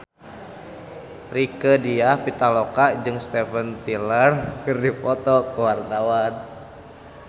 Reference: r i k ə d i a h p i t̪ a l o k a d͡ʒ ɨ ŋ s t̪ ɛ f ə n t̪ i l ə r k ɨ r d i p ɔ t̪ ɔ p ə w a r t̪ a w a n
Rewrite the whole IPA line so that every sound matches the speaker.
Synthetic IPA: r i k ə d i a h p i t̪ a l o k a d͡ʒ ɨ ŋ s t̪ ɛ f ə n t̪ i l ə r k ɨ r d i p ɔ t̪ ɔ k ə w a r t̪ a w a n